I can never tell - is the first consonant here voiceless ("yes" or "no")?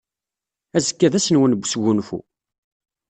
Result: no